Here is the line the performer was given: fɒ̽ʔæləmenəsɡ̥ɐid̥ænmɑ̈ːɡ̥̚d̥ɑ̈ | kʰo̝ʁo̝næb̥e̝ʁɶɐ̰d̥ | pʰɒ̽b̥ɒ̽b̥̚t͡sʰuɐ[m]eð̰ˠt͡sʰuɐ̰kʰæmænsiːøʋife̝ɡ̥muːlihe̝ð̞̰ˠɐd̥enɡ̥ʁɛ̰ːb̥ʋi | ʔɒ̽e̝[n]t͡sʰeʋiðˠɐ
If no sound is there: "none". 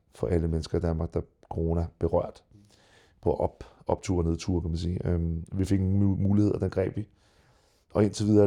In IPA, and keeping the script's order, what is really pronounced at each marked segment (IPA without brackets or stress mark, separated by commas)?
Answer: n, n